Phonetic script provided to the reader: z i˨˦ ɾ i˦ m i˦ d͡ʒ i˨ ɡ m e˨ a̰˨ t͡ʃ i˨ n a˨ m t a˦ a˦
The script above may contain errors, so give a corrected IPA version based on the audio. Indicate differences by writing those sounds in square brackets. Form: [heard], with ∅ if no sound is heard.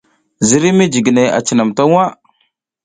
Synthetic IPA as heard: z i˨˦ ɾ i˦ m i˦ d͡ʒ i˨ ɡ [n] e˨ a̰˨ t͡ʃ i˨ n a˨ m t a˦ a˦

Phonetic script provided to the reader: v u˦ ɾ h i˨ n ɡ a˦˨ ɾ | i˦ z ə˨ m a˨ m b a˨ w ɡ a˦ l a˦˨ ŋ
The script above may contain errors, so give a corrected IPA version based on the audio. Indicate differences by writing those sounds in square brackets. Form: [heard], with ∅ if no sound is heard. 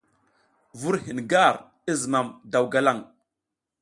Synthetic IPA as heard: v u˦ ɾ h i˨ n ɡ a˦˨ ɾ | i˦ z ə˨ m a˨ m [d] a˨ w ɡ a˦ l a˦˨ ŋ

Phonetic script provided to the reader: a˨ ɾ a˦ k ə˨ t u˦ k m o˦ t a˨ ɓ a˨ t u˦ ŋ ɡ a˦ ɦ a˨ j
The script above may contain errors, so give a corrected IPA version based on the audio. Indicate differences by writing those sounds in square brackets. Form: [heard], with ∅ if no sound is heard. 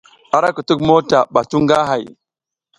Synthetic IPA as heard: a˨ ɾ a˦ k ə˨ t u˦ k m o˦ t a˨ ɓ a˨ t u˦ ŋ ɡ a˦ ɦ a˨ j

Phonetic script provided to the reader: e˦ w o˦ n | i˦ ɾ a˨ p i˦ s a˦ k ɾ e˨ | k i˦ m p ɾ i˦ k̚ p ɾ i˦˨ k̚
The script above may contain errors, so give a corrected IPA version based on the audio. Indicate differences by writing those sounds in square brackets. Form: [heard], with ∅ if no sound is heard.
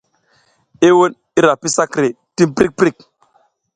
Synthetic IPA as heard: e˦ w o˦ n | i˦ ɾ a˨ p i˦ s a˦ k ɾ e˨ | [t] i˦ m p ɾ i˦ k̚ p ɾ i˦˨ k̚

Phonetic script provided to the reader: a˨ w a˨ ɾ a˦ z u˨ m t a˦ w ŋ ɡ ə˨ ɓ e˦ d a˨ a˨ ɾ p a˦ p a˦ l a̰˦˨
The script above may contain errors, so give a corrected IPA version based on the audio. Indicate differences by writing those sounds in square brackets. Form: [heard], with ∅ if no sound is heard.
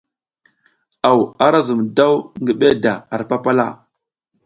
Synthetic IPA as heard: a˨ w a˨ ɾ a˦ z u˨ m [d] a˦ w ŋ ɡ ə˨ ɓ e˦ d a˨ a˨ ɾ p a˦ p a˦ l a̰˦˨

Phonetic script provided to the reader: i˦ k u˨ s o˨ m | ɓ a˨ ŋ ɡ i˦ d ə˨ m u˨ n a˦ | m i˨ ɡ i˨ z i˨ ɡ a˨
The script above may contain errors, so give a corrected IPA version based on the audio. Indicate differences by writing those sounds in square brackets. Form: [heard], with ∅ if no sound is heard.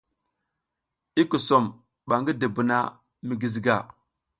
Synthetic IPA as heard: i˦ k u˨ s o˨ m | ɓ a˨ ŋ ɡ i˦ d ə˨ [b] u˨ n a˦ | m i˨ ɡ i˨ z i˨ ɡ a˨

